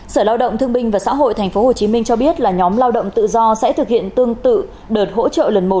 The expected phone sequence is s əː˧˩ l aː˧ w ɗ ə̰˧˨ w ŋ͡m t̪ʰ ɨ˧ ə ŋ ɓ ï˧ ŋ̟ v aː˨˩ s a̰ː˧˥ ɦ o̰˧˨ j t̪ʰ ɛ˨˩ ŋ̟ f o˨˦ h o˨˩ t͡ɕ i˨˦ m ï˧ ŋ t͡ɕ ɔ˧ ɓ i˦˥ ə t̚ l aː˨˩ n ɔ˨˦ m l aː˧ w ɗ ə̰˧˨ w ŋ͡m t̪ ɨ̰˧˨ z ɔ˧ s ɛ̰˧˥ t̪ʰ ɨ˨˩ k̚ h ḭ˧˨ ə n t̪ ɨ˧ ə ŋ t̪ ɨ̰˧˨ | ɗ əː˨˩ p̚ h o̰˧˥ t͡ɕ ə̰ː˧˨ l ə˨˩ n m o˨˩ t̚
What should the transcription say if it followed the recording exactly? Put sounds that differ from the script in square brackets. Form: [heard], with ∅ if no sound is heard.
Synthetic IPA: s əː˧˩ l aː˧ w ɗ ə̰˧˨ w ŋ͡m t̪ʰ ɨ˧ ə ŋ ɓ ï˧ ŋ̟ v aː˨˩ s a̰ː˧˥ ɦ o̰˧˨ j t̪ʰ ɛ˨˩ ŋ̟ f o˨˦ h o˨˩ t͡ɕ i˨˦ m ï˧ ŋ t͡ɕ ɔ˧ ɓ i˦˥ ə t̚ l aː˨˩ [ɲ] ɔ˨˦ m l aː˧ w ɗ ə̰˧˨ w ŋ͡m t̪ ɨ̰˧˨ z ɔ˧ s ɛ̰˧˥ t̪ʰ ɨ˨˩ k̚ h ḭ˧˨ ə n t̪ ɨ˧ ə ŋ t̪ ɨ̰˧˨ | ɗ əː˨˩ [t̚] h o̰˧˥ t͡ɕ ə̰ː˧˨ l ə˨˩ n m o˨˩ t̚